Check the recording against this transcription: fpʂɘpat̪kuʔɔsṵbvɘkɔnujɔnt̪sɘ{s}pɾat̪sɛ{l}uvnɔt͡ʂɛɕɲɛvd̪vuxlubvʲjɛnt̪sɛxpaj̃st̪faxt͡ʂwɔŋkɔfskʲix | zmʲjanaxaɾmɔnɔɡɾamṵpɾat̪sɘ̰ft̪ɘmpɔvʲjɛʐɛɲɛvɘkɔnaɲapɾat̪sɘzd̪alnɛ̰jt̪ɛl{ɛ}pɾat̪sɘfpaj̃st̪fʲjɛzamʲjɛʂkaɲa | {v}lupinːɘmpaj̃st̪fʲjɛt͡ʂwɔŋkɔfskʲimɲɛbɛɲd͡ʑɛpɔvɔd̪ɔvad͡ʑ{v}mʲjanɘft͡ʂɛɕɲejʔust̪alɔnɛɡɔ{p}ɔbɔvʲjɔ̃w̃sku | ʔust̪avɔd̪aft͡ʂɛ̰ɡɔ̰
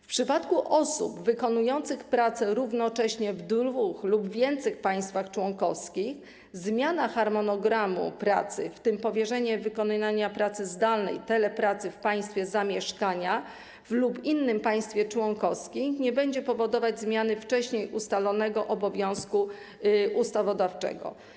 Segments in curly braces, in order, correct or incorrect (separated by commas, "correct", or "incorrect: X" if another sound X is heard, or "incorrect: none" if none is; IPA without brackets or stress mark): incorrect: x, incorrect: ɾ, correct, correct, incorrect: z, incorrect: ʔ